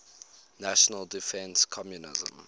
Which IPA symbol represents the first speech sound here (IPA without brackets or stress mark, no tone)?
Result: n